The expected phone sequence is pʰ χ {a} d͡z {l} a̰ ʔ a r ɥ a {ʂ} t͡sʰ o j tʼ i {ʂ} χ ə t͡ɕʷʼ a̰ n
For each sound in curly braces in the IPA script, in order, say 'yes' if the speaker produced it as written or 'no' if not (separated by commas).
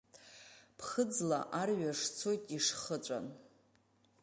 no, yes, yes, yes